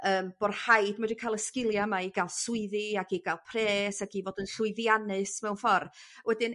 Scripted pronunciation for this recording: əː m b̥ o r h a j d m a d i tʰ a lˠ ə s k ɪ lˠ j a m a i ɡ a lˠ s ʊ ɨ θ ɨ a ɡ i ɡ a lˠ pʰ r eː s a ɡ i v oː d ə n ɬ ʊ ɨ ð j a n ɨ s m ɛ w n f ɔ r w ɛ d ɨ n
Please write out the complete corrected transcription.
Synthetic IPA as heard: əː m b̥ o r h a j d m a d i kʰ a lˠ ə s k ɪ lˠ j a m a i ɡ a lˠ s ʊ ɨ ð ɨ a ɡ i ɡ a lˠ pʰ r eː s a ɡ i v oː d ə n ɬ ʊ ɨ ð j a n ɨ s m ɛ w n f ɔ r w ɛ d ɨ n

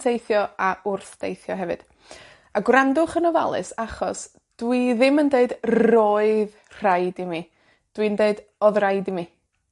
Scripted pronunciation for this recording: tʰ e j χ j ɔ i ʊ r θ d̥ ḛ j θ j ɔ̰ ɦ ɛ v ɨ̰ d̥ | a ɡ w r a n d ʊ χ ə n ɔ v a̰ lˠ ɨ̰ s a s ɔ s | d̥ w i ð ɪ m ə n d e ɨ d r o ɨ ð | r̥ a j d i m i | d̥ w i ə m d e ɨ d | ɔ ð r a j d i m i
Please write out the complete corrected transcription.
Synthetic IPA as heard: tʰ e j θ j ɔ a ʊ r θ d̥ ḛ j θ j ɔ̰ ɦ ɛ v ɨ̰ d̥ | a ɡ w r a n d ʊ χ ə n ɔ v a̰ lˠ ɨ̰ s a χ ɔ s | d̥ w i ð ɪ m ə n d e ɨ d r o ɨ ð | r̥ a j d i m i | d̥ w i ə n d e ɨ d | ɔ ð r a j d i m i

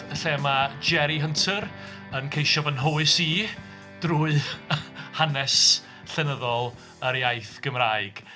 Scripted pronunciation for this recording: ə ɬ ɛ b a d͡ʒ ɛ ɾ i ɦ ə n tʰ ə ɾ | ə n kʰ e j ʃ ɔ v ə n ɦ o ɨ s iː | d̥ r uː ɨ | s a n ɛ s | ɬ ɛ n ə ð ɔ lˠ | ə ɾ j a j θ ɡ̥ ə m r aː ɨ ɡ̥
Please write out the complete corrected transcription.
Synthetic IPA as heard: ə ɬ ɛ m a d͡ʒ ɛ ɾ i ɦ ə n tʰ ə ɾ | ə n kʰ e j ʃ ɔ v ə n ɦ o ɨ s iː | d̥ r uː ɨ | h a n ɛ s | ɬ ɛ n ə ð ɔ lˠ | ə ɾ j a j θ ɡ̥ ə m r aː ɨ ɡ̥

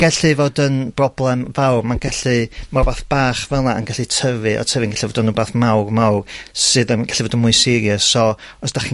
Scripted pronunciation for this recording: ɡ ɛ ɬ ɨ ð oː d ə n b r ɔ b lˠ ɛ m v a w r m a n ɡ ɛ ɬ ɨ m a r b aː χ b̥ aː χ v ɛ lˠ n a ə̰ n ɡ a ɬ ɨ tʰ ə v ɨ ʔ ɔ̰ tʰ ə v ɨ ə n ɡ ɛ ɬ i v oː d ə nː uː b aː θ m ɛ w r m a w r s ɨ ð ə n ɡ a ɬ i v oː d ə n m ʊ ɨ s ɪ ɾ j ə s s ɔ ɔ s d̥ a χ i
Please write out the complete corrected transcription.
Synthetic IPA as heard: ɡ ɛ ɬ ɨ v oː d ə n b r ɔ b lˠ ɛ m v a w r m a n ɡ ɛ ɬ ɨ m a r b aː θ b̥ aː χ v ɛ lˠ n a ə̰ n ɡ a ɬ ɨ tʰ ə v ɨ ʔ ɔ̰ tʰ ə v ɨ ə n ɡ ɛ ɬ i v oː d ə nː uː b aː θ m a w r m a w r s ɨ ð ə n ɡ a ɬ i v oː d ə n m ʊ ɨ s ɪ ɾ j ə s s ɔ ɔ s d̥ a χ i

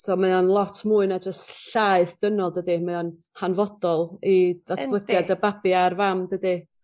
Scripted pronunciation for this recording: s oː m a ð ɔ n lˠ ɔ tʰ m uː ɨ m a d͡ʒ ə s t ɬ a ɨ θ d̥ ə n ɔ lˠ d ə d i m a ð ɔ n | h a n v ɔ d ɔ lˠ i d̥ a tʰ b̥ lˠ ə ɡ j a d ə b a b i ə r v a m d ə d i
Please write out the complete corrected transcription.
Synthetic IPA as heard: s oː m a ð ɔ n lˠ ɔ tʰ m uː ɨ n a d͡ʒ ə s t ɬ a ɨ θ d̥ ə n ɔ lˠ d ə d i m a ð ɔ n | h a n v ɔ d ɔ lˠ i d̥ a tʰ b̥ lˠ ə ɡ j a d ə b a b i a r v a m d ə d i

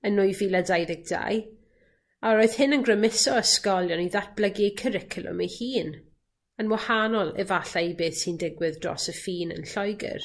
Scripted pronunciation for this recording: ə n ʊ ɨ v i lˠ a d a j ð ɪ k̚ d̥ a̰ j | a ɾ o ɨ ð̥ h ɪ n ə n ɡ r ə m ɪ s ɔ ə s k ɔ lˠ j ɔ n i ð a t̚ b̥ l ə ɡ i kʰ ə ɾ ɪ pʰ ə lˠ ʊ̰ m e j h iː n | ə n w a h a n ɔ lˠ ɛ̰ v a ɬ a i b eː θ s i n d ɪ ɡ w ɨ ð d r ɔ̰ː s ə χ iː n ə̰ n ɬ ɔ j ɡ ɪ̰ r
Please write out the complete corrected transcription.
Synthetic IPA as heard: ə n ʊ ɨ v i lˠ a d a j ð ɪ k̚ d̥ a̰ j | a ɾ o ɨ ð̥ h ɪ n ə n ɡ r ə m ɪ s ɔ ə s k ɔ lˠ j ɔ n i ð a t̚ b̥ l ə ɡ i kʰ ə ɾ ɪ kʰ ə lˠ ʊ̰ m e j h iː n | ə n w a h a n ɔ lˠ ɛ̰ v a ɬ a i b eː θ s i n d ɪ ɡ w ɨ ð d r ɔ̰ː s ə f iː n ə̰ n ɬ ɔ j ɡ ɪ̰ r

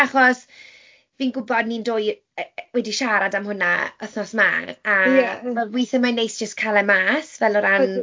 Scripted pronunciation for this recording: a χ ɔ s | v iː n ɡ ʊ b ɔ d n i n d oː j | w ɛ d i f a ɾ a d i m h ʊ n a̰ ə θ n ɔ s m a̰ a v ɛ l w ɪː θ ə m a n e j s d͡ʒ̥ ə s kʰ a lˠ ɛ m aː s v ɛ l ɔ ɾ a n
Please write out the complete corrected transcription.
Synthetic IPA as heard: a χ ɔ s | v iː n ɡ ʊ b ɔ d n i n d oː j | w ɛ d i ʃ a ɾ a d a m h ʊ n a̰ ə θ n ɔ s m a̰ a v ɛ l w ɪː θ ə m a n e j s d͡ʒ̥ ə s kʰ a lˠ ɛ m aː s v ɛ l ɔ ɾ a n

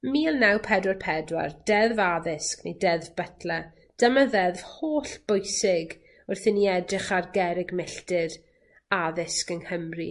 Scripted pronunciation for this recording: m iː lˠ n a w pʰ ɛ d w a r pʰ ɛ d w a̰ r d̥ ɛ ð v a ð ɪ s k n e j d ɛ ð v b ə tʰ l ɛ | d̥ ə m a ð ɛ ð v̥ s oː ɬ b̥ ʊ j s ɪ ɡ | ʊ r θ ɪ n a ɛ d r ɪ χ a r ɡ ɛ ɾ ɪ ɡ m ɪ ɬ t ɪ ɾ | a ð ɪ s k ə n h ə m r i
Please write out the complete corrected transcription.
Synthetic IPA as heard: m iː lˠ n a w pʰ ɛ d w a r pʰ ɛ d w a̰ r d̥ ɛ ð v a ð ɪ s k n e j d ɛ ð v b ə tʰ l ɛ | d̥ ə m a ð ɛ ð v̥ h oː ɬ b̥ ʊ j s ɪ ɡ | ʊ r θ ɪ n i ɛ d r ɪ χ a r ɡ ɛ ɾ ɪ ɡ m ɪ ɬ t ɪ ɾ | a ð ɪ s k ə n h ə m r i

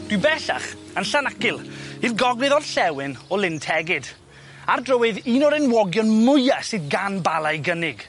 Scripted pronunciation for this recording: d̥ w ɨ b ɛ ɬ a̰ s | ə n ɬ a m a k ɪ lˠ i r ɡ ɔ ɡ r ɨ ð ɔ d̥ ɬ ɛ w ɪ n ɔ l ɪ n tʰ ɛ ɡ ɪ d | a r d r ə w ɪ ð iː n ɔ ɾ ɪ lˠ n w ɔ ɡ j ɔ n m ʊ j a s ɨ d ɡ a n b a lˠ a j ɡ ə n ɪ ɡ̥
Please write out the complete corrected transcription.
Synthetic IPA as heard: d̥ w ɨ b ɛ ɬ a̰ χ | ə n ɬ a n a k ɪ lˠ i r ɡ ɔ ɡ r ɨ ð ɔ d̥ ɬ ɛ w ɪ n ɔ l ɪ n tʰ ɛ ɡ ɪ d | a r d r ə w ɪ ð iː n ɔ ɾ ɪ n w ɔ ɡ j ɔ n m ʊ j a s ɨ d ɡ a n b a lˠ a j ɡ ə n ɪ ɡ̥

